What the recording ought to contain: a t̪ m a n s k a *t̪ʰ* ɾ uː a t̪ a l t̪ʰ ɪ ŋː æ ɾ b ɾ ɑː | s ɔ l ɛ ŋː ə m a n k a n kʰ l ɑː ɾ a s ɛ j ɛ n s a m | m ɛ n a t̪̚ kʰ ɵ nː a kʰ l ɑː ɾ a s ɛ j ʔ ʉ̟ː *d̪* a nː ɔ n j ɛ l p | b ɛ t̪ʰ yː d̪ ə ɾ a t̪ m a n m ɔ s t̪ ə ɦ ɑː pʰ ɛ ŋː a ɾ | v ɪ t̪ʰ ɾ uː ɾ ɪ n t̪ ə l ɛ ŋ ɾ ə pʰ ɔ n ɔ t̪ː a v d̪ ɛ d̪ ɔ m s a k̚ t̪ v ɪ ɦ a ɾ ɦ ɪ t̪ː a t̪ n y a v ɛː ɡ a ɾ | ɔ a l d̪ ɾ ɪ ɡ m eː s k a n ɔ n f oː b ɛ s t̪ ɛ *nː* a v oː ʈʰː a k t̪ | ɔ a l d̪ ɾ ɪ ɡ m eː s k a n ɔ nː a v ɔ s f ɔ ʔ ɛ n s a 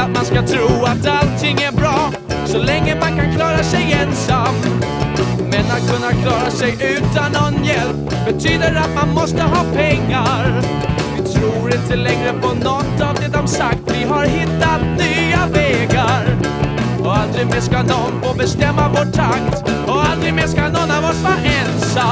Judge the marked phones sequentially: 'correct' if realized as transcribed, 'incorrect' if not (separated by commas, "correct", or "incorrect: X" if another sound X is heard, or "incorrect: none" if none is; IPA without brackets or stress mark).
correct, incorrect: t̪, incorrect: mː